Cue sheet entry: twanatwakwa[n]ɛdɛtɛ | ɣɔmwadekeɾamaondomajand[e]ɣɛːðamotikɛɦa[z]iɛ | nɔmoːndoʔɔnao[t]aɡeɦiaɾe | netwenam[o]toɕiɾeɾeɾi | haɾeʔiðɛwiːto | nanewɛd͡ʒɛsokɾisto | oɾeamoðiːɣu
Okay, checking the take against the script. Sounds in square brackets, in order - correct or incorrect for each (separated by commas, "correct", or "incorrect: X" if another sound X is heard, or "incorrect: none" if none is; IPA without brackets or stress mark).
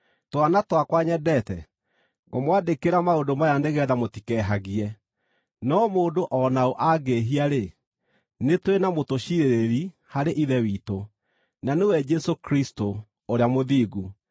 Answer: incorrect: ɲ, correct, incorrect: ɣ, incorrect: ʔ, correct